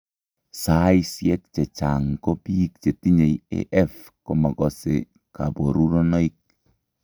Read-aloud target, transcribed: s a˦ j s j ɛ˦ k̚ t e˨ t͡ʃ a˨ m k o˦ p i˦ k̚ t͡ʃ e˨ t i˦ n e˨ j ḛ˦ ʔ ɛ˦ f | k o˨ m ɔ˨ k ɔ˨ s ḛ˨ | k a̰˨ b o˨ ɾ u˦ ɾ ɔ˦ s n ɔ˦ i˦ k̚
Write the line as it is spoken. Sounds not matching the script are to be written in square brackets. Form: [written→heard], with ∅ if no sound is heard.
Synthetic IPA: s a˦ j s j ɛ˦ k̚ [t→t͡ʃ] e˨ t͡ʃ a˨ [m→ŋ] k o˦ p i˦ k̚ t͡ʃ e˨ t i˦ [n→ɲ] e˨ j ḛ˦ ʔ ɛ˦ f | k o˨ m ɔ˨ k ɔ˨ s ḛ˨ | k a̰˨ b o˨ ɾ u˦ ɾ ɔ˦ [s→∅] n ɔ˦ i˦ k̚